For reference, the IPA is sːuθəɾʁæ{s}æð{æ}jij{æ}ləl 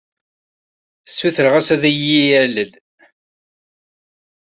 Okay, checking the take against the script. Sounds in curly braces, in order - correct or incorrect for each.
correct, correct, correct

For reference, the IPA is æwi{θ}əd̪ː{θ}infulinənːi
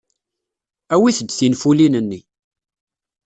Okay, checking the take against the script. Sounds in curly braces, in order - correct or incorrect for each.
correct, correct

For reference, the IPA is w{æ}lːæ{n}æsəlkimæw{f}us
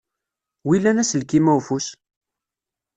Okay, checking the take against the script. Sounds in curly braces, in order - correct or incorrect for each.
incorrect, correct, correct

